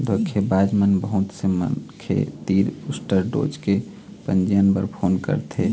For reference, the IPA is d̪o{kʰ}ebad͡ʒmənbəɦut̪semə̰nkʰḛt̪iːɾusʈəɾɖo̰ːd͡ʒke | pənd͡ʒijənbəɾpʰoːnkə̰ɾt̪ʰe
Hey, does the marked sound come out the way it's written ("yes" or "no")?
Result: yes